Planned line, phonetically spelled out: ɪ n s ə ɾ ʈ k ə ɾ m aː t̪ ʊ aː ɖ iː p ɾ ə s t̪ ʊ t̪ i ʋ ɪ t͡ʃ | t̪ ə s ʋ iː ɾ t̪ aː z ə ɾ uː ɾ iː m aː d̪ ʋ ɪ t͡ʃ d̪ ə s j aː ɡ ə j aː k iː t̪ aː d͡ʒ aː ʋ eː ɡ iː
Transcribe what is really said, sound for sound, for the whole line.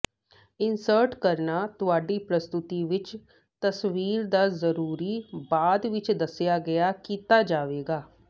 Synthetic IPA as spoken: ɪ n s ə ɾ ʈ k ə ɾ n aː t̪ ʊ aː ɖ iː p ɾ ə s t̪ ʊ t̪ i ʋ ɪ t͡ʃ | t̪ ə s ʋ iː ɾ d̪ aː z ə ɾ uː ɾ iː b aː d̪ ʋ ɪ t͡ʃ d̪ ə s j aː ɡ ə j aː k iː t̪ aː d͡ʒ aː ʋ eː ɡ aː